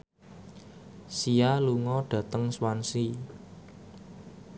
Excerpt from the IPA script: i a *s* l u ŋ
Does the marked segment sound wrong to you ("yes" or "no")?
yes